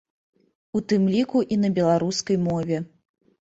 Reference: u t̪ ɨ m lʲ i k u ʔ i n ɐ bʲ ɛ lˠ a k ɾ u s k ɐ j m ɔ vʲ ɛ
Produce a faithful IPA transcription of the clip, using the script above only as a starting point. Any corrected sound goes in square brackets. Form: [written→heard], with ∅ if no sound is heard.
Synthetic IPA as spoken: u t̪ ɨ m lʲ i k u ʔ i n ɐ bʲ ɛ lˠ a [k→∅] ɾ u s k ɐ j m ɔ vʲ ɛ